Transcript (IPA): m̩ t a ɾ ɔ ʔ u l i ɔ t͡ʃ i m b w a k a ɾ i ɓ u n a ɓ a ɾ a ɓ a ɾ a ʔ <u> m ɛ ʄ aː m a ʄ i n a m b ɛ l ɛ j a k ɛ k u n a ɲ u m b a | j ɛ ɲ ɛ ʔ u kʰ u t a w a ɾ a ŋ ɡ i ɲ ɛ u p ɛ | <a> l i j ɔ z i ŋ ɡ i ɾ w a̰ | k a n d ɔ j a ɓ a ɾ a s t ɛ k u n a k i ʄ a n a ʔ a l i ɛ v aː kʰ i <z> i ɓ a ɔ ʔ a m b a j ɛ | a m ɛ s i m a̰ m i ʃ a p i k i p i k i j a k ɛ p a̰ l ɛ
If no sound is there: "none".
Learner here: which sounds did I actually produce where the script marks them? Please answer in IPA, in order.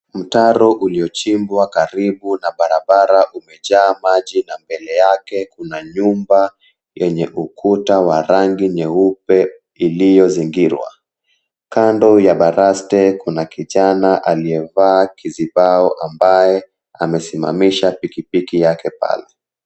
u, i, z

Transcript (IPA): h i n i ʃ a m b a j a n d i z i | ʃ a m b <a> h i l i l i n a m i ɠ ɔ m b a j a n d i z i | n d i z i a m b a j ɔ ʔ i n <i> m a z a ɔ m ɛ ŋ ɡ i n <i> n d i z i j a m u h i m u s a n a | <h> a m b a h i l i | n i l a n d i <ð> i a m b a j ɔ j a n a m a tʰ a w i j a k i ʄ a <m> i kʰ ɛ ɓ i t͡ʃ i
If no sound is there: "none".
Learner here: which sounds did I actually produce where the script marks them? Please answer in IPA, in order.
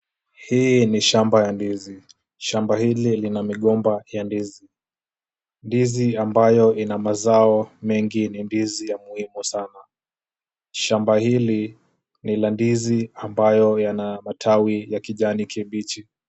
a, a, i, ʃ, z, n

